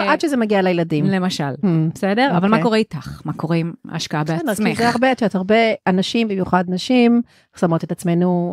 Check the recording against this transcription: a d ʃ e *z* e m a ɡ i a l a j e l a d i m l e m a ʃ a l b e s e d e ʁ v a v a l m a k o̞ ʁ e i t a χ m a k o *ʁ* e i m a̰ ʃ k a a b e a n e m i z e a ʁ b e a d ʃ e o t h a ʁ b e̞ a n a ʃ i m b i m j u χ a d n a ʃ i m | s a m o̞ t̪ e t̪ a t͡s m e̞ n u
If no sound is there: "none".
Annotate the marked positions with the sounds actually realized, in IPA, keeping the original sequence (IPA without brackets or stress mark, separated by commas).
z, ʁ